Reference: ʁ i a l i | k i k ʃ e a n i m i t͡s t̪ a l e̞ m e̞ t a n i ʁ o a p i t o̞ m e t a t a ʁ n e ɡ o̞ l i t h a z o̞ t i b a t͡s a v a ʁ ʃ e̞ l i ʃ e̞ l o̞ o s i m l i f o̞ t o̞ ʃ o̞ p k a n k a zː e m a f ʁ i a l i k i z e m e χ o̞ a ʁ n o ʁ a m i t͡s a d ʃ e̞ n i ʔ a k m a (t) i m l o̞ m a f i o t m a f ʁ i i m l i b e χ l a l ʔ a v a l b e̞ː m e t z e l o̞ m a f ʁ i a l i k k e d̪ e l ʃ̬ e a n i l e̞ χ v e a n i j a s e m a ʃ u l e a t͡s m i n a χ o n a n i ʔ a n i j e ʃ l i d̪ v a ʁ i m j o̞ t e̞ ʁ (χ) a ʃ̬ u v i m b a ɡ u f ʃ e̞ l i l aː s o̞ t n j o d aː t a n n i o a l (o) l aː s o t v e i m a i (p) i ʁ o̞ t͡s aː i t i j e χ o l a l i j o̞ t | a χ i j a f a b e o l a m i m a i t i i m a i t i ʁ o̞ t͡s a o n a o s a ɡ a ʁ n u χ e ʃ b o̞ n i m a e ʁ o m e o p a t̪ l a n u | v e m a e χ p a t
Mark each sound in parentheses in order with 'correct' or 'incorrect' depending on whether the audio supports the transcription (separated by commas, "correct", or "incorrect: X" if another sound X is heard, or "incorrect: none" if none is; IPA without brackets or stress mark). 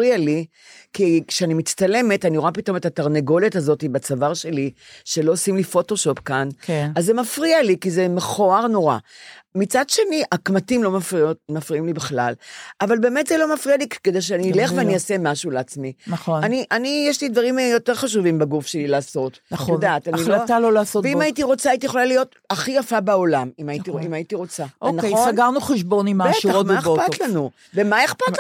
correct, correct, correct, incorrect: t